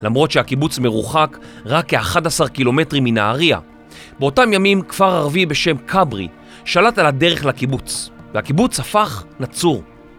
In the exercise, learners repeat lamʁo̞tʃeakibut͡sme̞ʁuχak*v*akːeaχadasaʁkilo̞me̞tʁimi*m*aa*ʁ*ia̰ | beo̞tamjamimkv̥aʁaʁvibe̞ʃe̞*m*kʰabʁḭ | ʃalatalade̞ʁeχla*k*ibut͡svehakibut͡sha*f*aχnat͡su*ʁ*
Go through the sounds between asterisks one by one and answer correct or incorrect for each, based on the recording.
incorrect, incorrect, correct, correct, correct, correct, correct

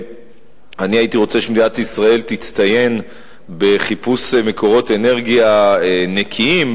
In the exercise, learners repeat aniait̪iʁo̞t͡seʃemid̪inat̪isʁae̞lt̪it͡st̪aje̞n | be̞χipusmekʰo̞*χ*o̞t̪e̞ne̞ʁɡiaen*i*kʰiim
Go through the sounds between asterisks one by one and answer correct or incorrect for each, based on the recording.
incorrect, incorrect

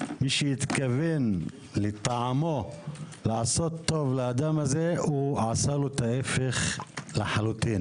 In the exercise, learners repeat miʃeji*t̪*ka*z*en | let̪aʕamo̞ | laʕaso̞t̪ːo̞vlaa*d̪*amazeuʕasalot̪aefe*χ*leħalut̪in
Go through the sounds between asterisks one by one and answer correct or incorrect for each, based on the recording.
correct, incorrect, correct, correct

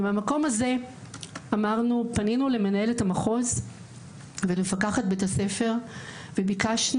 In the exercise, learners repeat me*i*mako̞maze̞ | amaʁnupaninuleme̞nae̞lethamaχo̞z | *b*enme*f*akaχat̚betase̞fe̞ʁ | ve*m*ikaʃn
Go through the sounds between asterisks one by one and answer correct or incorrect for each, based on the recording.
incorrect, incorrect, correct, incorrect

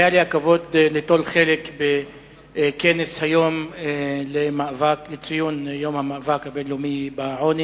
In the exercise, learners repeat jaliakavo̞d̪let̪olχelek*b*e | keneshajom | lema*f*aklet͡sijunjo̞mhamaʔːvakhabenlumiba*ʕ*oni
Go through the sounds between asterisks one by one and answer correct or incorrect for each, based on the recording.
correct, incorrect, correct

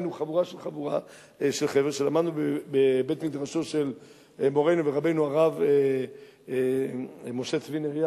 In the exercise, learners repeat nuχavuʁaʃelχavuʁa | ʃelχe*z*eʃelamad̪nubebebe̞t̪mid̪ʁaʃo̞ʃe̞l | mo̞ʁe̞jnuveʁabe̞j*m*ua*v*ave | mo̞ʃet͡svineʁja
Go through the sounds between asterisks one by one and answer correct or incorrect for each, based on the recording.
incorrect, incorrect, incorrect

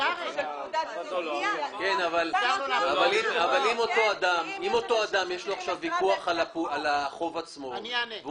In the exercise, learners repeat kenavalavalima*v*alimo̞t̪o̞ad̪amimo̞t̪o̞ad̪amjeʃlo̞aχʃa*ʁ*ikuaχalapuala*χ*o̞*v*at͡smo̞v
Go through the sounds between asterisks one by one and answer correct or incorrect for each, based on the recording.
correct, incorrect, correct, correct

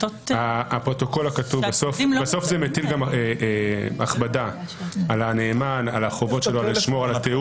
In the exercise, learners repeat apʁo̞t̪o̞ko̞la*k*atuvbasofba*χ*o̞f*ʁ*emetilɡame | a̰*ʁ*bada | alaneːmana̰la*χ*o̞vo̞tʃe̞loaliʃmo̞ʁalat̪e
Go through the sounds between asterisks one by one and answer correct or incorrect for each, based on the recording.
correct, incorrect, incorrect, incorrect, correct

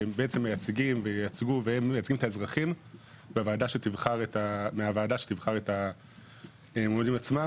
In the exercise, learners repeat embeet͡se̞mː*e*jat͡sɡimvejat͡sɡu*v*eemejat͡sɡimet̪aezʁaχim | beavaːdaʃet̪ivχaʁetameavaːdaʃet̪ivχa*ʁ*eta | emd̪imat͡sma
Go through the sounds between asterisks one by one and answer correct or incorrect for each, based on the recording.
correct, correct, correct

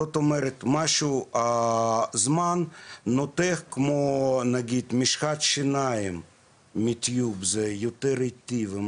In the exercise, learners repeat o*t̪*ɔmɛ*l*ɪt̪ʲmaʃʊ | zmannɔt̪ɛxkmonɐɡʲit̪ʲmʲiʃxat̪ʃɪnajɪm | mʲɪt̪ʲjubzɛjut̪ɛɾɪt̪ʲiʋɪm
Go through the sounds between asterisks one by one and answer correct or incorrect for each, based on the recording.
correct, incorrect

